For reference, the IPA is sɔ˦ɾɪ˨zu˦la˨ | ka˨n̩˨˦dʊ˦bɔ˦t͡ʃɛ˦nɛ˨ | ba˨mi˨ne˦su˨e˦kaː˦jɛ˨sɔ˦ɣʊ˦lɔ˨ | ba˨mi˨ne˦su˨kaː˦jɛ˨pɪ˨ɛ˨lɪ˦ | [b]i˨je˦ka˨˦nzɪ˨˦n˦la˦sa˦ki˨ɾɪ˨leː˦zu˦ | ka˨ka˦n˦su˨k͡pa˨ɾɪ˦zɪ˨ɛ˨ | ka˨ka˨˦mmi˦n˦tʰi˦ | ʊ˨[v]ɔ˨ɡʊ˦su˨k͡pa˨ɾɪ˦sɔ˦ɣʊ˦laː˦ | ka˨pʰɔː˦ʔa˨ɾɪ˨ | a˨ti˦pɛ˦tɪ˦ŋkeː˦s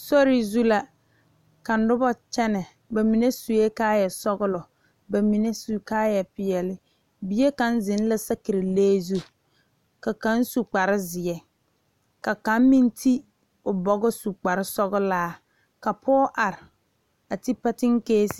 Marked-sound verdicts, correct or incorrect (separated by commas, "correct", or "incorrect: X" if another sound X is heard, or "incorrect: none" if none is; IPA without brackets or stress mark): correct, incorrect: b